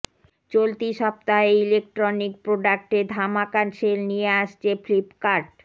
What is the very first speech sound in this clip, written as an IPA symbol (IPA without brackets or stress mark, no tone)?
t͡ɕ